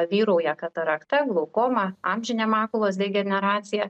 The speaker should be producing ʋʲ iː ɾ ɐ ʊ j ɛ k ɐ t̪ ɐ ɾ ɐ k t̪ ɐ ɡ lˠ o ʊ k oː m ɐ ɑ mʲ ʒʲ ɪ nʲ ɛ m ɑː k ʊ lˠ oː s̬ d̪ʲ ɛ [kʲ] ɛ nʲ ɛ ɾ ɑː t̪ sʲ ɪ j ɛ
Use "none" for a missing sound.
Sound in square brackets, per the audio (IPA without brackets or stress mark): ɡʲ